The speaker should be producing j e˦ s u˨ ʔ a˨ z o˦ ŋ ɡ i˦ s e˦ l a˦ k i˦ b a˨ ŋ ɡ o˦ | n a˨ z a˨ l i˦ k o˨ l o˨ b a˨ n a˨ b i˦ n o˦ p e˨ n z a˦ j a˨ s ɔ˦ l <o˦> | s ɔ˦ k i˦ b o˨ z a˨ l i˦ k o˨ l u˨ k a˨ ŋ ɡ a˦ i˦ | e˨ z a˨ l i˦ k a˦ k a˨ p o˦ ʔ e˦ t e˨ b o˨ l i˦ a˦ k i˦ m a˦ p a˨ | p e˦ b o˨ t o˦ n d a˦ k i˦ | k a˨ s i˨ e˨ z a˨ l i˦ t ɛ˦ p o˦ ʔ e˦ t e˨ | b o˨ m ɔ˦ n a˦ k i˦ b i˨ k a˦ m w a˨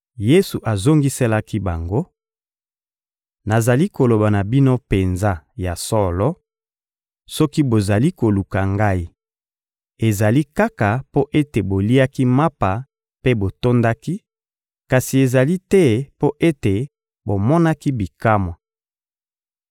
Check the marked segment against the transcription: incorrect: ɔ˦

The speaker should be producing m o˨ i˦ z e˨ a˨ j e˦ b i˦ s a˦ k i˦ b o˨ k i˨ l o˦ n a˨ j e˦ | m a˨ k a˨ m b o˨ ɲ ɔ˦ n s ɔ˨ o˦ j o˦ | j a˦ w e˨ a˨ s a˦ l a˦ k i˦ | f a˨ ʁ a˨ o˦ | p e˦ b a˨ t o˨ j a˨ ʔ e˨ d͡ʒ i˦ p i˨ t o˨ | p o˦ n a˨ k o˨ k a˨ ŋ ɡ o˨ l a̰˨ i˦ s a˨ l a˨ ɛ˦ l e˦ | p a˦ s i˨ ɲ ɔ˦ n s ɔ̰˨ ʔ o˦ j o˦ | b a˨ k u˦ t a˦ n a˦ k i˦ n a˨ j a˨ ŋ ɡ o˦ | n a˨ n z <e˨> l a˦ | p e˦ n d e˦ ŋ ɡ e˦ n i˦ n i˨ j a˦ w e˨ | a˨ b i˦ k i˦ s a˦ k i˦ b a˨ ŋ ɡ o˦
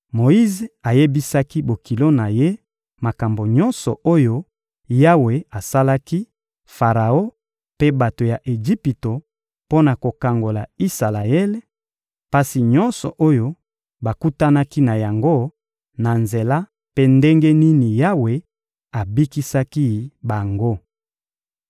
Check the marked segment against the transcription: correct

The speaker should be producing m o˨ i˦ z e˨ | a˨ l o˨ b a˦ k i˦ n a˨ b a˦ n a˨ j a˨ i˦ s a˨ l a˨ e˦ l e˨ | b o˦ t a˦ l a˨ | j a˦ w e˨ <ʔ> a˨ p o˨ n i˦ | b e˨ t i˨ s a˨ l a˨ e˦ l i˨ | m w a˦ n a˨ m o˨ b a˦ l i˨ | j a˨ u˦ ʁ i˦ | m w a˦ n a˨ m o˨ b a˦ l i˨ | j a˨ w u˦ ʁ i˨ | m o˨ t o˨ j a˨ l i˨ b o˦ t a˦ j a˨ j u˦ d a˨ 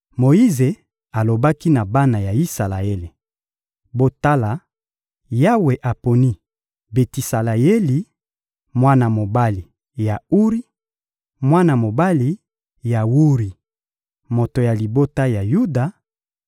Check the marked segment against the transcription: correct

